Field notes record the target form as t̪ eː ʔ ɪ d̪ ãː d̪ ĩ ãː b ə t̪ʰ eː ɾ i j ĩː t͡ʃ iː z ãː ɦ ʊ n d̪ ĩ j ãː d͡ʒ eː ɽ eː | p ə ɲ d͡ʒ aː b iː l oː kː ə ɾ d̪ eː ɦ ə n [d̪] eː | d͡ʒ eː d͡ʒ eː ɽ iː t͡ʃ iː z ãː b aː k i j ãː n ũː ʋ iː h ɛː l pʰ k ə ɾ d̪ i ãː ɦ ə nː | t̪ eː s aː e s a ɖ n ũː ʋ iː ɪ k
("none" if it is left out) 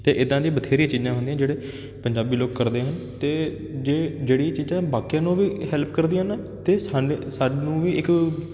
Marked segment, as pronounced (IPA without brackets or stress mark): t̪